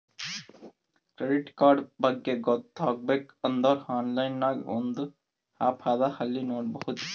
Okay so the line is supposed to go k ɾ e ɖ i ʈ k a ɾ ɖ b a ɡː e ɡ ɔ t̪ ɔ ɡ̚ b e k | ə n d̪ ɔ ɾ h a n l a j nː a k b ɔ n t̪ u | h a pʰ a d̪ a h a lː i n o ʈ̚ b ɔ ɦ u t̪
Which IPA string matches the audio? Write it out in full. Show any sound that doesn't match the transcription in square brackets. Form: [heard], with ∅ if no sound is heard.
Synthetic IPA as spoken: k ɾ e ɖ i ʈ k a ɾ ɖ b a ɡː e ɡ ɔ t̪ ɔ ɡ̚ b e k | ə n d̪ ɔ ɾ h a n l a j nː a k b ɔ n [d̪] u | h a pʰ a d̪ a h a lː i n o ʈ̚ b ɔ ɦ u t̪